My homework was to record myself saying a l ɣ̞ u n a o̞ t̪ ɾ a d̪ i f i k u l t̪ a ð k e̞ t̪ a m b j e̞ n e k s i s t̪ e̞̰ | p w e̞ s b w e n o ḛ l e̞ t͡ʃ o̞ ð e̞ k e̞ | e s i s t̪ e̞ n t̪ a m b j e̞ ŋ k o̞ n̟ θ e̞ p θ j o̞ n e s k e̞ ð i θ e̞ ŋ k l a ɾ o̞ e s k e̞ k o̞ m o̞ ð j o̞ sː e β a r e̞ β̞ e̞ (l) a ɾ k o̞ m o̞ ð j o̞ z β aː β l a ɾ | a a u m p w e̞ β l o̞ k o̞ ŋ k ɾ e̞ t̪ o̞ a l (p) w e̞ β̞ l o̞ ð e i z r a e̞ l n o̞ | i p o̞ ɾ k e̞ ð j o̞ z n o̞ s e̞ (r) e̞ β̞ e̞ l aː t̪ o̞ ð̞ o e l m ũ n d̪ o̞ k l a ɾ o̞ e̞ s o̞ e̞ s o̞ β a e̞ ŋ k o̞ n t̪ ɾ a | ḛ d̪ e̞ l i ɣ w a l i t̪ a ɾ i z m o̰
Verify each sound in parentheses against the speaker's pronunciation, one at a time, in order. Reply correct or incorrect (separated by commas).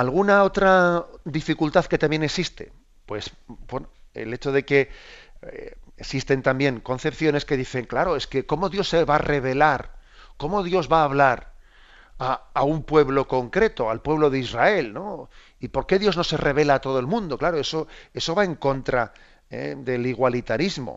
correct, correct, correct